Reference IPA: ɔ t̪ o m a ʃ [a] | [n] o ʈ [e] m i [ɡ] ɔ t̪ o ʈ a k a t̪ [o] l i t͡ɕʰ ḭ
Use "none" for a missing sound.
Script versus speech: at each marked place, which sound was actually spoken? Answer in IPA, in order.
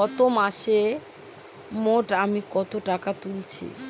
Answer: e, m, a, k, u

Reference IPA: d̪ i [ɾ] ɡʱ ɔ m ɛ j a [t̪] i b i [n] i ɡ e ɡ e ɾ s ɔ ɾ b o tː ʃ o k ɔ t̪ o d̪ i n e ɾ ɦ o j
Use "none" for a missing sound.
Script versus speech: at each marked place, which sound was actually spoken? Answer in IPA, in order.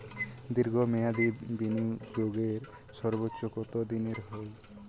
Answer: ɾ, d̪, n

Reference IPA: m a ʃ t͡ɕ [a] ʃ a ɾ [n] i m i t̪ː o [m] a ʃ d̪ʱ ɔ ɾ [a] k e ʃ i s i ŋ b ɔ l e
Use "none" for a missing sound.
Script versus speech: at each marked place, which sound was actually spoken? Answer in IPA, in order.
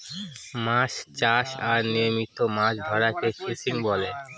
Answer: a, n, m, a

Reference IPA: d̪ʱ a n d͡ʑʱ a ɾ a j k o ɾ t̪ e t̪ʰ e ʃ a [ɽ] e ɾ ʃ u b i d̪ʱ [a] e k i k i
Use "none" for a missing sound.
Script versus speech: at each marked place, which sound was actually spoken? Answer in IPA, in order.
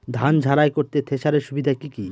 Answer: ɾ, a

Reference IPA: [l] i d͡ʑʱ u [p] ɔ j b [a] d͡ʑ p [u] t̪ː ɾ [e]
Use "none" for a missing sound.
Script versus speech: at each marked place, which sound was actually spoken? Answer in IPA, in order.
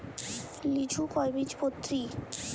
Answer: l, k, i, o, i

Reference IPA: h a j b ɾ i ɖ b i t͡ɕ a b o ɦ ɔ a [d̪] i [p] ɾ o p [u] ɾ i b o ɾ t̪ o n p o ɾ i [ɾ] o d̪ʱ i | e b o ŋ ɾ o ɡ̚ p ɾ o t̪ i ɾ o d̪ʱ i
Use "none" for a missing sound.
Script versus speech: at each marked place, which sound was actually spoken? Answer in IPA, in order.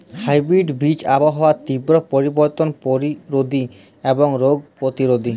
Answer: t̪, b, o, ɾ

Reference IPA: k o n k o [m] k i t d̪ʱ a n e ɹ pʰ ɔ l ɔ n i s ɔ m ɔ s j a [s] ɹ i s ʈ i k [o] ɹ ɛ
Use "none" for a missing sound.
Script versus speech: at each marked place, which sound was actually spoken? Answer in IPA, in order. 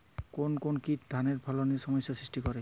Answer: n, s, ɔ

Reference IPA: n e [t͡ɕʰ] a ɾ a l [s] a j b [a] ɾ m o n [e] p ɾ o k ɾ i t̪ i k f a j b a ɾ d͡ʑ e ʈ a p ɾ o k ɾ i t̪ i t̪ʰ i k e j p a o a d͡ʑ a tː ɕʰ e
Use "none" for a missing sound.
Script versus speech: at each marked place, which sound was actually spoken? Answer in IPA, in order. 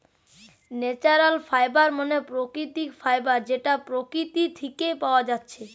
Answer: t͡ɕ, f, a, e

